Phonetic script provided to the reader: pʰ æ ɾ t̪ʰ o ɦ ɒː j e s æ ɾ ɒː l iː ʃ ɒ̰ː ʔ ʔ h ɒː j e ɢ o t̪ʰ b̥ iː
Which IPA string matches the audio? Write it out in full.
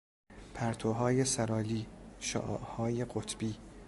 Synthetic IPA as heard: pʰ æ ɾ t̪ʰ o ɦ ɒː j e s æ ɾ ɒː l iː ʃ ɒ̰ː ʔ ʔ h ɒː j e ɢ o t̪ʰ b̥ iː